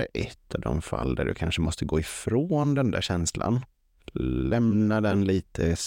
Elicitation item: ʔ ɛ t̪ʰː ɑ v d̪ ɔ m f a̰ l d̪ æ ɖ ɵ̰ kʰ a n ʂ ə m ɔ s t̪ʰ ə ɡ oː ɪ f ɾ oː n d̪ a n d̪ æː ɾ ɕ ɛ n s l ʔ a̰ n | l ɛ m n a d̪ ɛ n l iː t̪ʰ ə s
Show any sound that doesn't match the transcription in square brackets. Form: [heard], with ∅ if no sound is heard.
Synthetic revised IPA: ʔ ɛ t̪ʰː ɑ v d̪ ɔ m f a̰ l d̪ æ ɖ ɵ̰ kʰ a n ʂ ə m ɔ s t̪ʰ ə ɡ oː ɪ f ɾ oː n d̪ [ɛ] n d̪ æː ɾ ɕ ɛ n s l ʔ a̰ n | l ɛ m n a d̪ ɛ n l iː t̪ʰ ə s